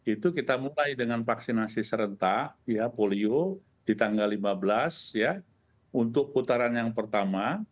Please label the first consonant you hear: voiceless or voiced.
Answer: voiceless